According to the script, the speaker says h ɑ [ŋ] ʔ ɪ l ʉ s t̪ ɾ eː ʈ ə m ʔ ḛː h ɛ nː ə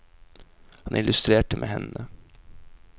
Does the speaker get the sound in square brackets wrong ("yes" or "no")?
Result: yes